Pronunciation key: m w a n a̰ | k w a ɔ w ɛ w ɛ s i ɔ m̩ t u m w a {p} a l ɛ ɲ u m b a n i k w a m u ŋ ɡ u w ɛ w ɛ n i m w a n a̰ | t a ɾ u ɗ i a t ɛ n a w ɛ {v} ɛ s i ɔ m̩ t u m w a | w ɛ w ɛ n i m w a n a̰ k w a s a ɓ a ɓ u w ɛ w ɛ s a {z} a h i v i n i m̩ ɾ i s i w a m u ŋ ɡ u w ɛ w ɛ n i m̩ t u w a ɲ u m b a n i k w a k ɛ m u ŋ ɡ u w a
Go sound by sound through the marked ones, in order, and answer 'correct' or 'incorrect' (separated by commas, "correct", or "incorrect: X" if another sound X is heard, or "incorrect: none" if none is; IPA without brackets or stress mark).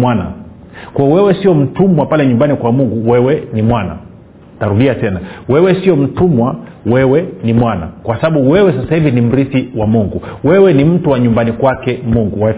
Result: correct, incorrect: w, incorrect: s